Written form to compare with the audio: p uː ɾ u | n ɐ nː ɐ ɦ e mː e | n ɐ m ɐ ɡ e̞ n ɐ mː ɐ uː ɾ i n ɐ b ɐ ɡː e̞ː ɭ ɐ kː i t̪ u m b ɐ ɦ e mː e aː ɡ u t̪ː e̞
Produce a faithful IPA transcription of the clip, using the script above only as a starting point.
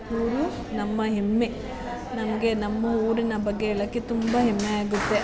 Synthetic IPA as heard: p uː ɾ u | n ɐ mː ɐ ɦ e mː e | n ɐ m ɐ ɡ e̞ n ɐ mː ɐ uː ɾ i n ɐ b ɐ ɡː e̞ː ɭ ɐ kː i t̪ u m b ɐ ɦ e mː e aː ɡ u t̪ː e̞